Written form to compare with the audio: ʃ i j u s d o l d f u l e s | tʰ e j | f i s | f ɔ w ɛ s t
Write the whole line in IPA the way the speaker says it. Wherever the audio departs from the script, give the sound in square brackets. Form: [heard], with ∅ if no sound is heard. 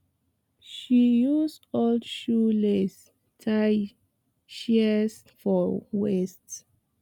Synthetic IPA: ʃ i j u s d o l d [ʃ] u l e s | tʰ [a] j | [ʃ] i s | f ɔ w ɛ s t